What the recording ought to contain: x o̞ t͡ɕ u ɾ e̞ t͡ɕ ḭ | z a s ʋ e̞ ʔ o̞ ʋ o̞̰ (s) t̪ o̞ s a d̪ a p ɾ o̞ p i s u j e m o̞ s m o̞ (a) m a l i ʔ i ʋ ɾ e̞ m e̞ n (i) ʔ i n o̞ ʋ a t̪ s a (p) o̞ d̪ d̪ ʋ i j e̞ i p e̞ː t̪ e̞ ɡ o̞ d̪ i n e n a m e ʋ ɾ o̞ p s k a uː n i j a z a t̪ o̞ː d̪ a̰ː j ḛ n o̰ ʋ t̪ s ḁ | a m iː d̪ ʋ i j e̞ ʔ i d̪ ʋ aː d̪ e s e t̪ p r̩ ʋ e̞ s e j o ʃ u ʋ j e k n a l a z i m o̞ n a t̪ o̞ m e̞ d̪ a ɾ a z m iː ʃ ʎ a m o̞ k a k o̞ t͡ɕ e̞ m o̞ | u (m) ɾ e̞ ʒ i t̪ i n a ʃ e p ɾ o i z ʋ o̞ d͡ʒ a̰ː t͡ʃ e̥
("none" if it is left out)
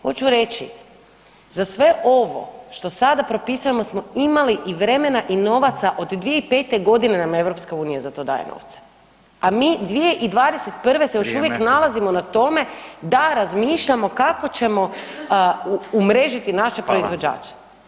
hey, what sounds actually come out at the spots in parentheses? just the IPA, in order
ʃ, i, a, ʔ, m

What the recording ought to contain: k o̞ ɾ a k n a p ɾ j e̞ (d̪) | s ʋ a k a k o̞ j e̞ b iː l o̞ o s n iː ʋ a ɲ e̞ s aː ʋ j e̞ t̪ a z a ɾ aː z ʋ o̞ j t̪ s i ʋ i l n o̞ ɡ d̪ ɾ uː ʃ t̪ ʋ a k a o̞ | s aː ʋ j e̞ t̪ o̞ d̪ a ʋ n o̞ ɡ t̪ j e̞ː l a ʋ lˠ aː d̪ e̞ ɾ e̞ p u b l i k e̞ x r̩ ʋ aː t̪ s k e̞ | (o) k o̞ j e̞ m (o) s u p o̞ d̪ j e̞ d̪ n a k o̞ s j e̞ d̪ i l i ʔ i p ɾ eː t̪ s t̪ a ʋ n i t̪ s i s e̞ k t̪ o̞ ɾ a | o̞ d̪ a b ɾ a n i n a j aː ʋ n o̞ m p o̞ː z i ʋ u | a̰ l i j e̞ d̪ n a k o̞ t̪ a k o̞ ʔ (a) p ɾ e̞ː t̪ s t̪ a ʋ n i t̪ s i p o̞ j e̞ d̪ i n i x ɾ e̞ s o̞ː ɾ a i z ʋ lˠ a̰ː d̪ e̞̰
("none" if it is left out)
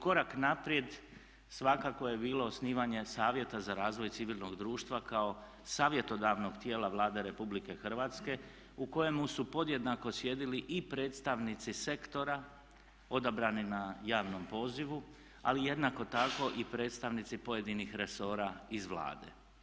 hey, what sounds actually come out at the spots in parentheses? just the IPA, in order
d̪, u, u, i

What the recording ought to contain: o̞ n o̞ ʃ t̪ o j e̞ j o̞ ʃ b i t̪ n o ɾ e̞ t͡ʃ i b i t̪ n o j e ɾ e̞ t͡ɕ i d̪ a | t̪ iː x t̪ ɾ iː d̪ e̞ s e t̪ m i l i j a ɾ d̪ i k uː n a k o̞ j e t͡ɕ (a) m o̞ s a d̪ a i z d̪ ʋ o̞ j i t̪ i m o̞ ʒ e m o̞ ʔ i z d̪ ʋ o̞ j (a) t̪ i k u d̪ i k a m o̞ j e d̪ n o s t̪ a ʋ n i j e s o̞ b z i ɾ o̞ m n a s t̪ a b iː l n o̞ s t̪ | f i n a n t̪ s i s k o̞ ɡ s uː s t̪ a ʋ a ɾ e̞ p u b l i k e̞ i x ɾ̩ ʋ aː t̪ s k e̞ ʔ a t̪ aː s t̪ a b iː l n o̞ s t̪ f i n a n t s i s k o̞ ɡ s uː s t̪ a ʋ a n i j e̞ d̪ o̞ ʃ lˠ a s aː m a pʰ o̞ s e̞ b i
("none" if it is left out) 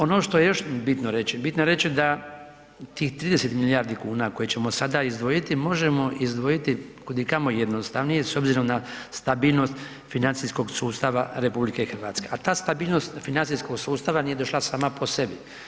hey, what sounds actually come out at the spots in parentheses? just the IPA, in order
e, i

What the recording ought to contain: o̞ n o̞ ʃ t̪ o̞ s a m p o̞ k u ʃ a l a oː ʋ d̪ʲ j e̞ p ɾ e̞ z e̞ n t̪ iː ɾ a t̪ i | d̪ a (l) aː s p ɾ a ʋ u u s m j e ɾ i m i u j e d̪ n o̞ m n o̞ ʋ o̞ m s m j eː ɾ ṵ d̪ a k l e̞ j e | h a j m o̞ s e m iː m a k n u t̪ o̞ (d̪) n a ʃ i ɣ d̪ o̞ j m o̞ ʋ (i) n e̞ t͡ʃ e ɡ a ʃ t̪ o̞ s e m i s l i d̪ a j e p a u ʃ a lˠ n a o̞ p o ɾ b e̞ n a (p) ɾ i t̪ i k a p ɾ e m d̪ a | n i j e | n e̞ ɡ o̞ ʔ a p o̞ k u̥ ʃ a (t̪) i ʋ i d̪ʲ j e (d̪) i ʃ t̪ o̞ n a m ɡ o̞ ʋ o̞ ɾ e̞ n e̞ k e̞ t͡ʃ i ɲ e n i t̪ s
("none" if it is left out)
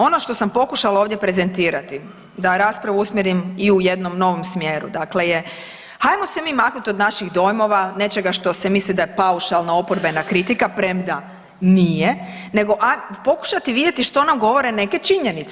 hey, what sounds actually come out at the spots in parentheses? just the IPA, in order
ɾ, d̪, a, k, t̪, t̪

